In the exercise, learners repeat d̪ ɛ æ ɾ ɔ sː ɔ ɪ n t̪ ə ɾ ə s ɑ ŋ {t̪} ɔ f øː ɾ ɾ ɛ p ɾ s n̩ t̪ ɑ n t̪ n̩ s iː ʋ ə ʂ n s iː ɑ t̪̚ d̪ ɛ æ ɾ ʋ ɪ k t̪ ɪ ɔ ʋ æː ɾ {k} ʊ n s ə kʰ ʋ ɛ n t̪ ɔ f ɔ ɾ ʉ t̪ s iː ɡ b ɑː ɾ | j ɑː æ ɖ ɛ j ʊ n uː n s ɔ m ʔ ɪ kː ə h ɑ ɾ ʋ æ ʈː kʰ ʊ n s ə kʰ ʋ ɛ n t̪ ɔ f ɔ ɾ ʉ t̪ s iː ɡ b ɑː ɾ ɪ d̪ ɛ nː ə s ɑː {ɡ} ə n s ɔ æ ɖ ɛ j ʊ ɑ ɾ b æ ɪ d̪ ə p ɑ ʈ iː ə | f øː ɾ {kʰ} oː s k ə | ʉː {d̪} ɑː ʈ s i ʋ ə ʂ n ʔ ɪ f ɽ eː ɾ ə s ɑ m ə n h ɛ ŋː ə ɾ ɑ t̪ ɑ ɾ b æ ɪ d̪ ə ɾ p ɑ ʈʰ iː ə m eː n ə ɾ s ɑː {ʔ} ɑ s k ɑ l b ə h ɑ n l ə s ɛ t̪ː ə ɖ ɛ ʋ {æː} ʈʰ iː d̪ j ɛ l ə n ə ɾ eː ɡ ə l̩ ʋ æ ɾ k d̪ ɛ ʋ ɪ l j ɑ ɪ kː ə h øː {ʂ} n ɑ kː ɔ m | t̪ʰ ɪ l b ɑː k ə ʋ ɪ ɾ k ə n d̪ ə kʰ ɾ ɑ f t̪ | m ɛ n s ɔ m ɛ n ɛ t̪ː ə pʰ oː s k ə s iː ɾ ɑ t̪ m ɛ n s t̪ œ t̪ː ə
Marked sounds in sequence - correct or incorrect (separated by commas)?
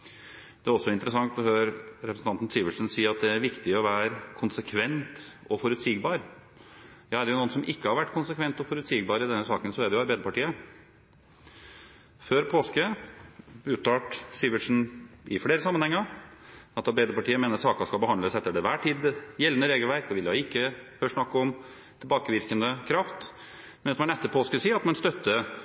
correct, incorrect, incorrect, incorrect, incorrect, incorrect, correct, correct